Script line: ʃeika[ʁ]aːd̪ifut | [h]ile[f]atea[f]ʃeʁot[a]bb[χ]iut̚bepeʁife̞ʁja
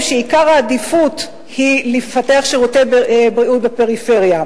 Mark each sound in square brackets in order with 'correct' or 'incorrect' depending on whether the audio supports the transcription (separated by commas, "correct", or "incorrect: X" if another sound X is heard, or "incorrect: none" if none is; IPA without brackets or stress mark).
correct, correct, correct, incorrect: χ, incorrect: e, incorrect: ʁ